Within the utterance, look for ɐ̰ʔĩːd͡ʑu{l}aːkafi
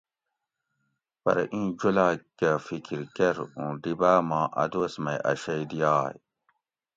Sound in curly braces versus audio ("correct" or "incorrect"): correct